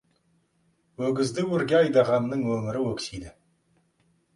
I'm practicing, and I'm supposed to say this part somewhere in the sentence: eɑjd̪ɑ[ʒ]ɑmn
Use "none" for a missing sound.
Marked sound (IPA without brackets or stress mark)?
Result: ʁ